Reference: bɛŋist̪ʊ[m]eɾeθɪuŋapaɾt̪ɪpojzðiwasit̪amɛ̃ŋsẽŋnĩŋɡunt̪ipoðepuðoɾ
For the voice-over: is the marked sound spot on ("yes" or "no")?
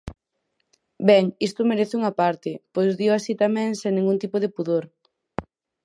yes